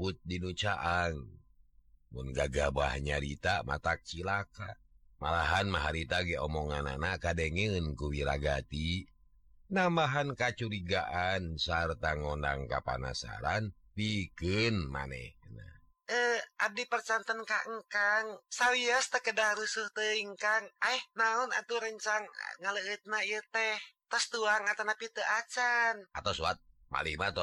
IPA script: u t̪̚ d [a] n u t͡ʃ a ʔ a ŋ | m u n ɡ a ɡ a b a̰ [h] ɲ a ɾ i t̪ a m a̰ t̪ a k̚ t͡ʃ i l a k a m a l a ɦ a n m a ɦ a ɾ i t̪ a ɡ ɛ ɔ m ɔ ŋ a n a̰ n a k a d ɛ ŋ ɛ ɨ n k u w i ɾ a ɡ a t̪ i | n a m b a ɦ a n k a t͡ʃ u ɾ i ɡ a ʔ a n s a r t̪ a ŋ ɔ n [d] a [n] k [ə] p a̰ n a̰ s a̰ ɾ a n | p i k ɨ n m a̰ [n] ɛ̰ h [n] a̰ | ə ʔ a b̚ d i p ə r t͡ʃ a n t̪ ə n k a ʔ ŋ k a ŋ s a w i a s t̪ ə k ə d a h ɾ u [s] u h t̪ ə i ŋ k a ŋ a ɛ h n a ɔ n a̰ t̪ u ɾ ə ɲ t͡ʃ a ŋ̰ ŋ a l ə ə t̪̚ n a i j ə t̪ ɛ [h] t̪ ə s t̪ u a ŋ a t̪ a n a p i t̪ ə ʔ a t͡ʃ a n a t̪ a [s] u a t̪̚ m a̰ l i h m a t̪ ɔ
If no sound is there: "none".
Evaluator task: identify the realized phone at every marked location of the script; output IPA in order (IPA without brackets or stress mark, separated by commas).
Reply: i, h, d, ŋ, a, n, n, s, h, s